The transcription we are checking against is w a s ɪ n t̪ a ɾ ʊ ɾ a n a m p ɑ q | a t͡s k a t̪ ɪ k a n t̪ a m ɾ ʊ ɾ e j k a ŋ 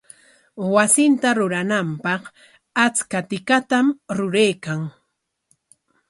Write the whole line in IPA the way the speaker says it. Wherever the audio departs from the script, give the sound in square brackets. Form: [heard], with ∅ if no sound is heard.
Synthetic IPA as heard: w a s ɪ n t̪ a ɾ ʊ ɾ a n a m p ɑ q | a t͡s k a t̪ ɪ k a [∅] t̪ a m ɾ ʊ ɾ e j k a ŋ